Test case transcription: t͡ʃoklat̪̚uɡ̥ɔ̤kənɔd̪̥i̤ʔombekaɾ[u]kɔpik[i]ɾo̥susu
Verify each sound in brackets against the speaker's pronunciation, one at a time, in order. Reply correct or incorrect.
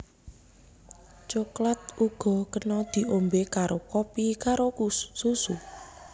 incorrect, incorrect

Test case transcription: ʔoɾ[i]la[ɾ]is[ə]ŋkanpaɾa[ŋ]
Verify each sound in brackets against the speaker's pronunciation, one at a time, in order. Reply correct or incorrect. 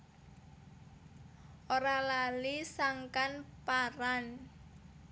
incorrect, incorrect, incorrect, incorrect

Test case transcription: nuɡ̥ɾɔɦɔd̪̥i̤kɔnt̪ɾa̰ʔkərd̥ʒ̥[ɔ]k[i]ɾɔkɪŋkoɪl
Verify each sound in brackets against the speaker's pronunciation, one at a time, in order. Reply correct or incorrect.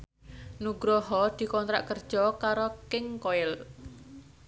correct, incorrect

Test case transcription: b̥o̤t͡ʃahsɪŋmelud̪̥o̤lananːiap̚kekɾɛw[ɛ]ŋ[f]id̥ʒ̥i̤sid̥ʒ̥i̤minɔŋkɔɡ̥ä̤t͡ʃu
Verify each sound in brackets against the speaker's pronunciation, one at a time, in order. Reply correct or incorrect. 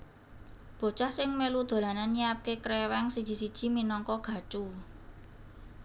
correct, incorrect

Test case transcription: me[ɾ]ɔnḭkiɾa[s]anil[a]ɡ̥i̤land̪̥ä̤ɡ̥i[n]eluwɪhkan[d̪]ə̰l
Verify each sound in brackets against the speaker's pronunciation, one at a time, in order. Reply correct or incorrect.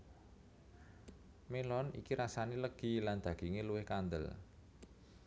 incorrect, correct, incorrect, incorrect, correct

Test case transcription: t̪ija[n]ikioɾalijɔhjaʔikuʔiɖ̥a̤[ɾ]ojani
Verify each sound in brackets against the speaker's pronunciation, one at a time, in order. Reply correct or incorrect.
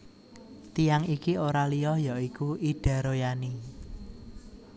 incorrect, correct

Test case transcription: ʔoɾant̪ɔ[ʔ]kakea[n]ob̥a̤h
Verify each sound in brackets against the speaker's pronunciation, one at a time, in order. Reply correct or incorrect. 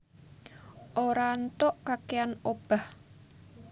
correct, correct

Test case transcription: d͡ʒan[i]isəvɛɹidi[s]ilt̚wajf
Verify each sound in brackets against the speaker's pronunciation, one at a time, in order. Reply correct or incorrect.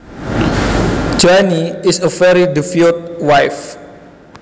correct, incorrect

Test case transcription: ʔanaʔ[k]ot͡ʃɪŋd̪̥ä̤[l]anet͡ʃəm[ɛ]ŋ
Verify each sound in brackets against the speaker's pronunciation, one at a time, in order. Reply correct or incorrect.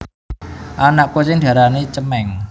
correct, incorrect, correct

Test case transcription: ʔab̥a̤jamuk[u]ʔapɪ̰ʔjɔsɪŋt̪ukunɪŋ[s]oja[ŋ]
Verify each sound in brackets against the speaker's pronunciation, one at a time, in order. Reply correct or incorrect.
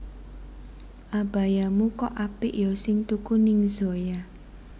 incorrect, incorrect, incorrect

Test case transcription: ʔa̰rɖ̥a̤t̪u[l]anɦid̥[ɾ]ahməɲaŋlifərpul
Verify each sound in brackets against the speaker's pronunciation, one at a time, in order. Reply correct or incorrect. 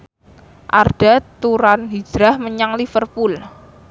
incorrect, correct

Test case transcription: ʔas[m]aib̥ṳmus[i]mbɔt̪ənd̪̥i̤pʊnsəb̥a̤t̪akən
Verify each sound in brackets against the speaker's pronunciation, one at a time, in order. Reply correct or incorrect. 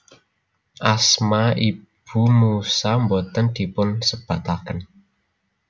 correct, incorrect

